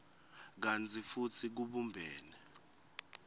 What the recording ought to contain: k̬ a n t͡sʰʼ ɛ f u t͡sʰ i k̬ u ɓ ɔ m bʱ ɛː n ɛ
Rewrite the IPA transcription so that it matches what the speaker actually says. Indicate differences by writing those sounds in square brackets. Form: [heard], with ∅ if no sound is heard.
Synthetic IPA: k̬ a n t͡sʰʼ [i] f u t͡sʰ i k̬ u ɓ [u] m bʱ ɛː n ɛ